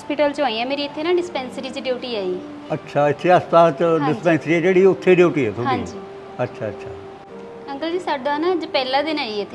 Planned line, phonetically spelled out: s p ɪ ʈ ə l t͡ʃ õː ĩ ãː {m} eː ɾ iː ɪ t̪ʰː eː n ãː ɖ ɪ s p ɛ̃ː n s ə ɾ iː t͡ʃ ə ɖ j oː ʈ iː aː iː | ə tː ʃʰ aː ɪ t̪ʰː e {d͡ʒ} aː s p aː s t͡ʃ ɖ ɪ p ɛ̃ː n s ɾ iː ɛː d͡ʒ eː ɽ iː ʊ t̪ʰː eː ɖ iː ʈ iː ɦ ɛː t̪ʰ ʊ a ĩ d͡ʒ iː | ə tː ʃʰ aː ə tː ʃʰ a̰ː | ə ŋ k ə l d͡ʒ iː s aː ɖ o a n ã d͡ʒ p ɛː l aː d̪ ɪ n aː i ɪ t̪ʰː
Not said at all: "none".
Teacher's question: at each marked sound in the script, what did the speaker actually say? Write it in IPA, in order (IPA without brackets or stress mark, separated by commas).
m, none